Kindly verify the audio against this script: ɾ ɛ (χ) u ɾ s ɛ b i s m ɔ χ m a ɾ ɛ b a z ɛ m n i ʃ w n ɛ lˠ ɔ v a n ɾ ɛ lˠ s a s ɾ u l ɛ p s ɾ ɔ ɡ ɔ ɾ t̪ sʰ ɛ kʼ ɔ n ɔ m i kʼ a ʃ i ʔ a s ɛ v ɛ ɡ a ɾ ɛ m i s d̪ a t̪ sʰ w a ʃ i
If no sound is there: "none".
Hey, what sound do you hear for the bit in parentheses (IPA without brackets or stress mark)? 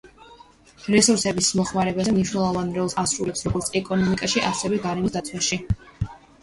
s